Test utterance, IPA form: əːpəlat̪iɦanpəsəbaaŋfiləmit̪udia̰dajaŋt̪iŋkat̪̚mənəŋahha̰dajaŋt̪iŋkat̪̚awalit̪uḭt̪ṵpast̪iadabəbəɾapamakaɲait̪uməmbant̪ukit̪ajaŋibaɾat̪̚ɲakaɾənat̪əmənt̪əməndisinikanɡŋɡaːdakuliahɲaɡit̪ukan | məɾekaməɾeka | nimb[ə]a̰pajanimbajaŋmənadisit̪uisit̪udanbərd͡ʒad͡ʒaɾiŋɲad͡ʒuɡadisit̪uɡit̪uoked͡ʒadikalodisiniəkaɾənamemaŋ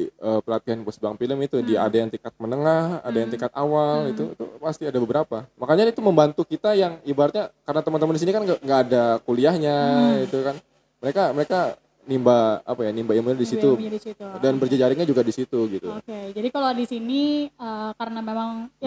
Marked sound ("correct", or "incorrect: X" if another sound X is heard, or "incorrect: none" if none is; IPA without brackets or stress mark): incorrect: a